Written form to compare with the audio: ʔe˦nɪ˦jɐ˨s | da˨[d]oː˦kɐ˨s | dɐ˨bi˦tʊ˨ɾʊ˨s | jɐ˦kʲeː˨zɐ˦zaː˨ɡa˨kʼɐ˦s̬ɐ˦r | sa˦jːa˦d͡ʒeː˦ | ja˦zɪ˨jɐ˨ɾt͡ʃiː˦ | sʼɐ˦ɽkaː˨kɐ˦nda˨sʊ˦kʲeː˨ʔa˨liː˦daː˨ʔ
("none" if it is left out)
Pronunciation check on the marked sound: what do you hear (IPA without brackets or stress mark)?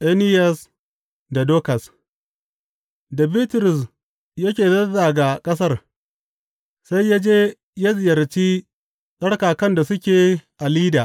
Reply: d